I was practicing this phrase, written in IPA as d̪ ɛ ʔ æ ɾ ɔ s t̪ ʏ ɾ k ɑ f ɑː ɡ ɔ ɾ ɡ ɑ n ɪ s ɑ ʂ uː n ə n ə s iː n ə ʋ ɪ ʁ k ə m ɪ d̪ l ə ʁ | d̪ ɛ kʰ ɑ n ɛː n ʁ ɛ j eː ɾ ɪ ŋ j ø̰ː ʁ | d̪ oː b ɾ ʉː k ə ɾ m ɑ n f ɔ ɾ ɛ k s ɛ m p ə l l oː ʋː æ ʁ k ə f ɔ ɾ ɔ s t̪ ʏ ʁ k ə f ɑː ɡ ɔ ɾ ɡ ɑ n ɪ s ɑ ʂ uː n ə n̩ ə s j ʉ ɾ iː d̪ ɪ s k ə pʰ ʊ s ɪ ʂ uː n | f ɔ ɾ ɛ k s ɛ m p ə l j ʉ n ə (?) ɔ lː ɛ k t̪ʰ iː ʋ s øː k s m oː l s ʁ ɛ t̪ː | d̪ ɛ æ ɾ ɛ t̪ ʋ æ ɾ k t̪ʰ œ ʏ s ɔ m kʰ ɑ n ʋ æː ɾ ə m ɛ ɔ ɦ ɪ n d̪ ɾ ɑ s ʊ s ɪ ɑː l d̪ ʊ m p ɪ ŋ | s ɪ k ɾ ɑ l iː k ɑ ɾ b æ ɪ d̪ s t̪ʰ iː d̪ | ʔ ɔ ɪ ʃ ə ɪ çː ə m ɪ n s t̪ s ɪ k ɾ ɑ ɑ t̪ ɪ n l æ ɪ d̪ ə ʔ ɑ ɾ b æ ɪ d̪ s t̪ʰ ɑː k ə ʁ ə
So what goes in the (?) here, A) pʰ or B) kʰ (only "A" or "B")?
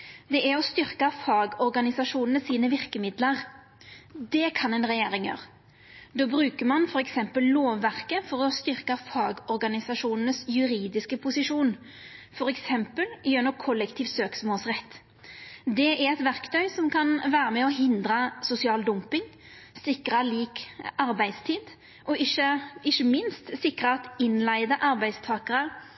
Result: B